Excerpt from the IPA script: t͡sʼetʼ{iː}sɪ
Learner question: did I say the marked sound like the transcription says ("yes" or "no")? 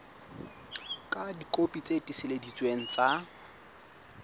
no